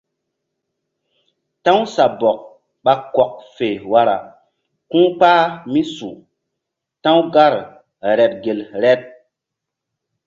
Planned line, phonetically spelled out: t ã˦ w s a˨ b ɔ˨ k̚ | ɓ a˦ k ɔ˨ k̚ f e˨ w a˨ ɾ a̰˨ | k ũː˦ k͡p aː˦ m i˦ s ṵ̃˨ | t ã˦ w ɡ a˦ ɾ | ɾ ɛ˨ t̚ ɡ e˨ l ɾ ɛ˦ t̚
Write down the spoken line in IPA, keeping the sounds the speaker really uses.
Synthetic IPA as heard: t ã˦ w s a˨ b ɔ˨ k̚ | ɓ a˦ k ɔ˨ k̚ f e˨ w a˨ ɾ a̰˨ | k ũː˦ k͡p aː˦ m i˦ s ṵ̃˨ | t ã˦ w ɡ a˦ ɾ | ɾ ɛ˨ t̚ ɡ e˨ l ɾ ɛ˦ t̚